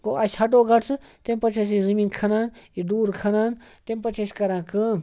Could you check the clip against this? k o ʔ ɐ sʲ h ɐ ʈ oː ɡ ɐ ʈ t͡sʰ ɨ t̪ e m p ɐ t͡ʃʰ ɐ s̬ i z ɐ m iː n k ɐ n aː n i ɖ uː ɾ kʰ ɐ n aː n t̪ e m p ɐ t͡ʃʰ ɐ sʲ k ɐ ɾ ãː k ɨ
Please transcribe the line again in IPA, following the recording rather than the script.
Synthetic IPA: k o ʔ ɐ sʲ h ɐ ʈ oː ɡ ɐ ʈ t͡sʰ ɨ t̪ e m p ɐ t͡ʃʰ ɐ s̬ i z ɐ m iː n kʰ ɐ n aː n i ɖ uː ɾ kʰ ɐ n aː n t̪ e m p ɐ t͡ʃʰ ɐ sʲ k ɐ ɾ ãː k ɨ